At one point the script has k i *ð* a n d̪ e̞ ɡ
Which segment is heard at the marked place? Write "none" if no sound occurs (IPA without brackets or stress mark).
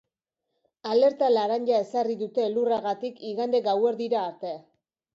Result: ɣ